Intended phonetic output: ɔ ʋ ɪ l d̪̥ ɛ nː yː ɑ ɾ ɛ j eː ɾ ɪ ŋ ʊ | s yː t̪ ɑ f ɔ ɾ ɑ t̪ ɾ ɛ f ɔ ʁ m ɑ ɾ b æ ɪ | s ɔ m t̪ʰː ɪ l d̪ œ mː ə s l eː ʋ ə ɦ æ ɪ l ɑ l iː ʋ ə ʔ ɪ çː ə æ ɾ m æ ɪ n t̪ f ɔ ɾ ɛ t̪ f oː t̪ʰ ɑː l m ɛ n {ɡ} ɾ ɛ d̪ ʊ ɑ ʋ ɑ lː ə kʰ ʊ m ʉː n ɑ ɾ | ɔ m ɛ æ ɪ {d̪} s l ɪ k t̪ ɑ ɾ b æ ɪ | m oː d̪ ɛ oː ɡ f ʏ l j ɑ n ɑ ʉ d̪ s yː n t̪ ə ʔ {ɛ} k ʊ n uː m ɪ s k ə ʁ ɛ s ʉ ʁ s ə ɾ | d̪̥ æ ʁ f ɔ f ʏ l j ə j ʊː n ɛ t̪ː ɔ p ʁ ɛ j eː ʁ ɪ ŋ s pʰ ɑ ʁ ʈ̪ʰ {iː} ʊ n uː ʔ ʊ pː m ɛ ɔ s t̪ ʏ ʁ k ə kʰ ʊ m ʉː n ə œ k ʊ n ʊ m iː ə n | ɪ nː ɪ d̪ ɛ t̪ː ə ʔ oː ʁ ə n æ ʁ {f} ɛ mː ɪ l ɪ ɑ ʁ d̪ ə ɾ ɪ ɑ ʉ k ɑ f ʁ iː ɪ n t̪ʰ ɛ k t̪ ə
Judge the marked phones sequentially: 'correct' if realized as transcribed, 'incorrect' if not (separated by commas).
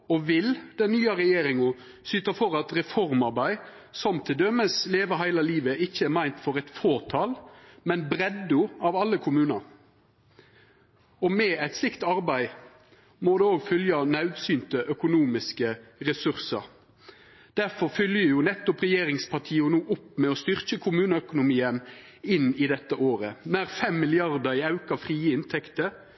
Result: incorrect, incorrect, incorrect, correct, correct